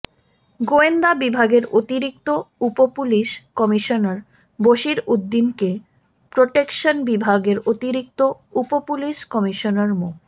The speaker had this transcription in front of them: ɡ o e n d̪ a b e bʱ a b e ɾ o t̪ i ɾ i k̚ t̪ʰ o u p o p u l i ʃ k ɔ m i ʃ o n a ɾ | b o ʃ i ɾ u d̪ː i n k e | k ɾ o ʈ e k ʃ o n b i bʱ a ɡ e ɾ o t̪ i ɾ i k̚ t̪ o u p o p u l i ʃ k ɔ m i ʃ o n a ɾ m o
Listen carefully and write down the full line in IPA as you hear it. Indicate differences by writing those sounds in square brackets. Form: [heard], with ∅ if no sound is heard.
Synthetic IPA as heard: ɡ o e n d̪ a b [i] bʱ a [ɡ] e ɾ o t̪ i ɾ i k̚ [t̪] o u p o p u l i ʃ k ɔ m i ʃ o n a ɾ | b o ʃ i ɾ u d̪ː i n k e | [p] ɾ o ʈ e k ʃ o n b i bʱ a ɡ e ɾ o t̪ i ɾ i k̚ t̪ o u p o p u l i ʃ k ɔ m i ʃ o n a ɾ m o